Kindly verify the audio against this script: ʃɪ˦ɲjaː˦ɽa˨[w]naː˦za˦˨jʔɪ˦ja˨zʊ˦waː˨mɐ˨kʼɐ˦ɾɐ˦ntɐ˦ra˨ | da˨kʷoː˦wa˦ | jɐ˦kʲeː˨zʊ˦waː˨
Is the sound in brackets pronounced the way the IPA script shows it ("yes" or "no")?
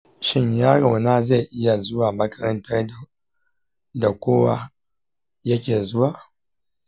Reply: yes